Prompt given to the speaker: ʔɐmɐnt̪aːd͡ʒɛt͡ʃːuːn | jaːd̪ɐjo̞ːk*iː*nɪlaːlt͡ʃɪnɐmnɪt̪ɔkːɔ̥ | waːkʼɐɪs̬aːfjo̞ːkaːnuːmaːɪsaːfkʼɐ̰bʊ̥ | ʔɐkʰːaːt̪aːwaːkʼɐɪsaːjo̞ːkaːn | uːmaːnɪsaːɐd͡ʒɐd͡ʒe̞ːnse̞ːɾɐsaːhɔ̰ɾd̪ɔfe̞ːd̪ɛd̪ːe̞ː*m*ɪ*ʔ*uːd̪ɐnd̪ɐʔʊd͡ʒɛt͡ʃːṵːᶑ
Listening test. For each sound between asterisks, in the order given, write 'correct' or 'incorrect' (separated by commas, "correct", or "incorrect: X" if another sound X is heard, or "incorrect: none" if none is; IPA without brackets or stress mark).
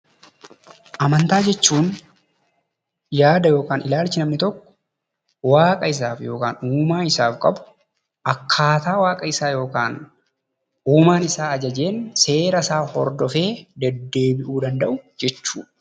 incorrect: aː, incorrect: b, correct